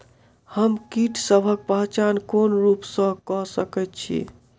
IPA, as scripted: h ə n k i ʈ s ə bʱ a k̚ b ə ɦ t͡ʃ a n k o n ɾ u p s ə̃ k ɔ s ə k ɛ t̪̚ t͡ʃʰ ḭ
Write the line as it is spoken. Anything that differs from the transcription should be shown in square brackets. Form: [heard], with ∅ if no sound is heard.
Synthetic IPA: h ə [m] k i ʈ s ə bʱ [ə] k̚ [p] ə ɦ t͡ʃ a n k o n ɾ u p s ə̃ k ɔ s ə k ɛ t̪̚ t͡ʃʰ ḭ